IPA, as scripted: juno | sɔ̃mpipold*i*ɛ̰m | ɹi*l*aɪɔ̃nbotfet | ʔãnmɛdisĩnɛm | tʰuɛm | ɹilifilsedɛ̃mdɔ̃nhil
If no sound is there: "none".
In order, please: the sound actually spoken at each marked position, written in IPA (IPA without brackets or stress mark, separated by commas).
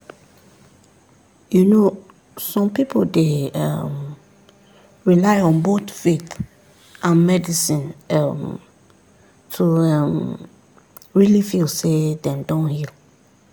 e, l